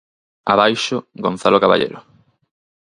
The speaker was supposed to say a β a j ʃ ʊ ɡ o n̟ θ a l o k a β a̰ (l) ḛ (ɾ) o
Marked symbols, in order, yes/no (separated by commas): no, yes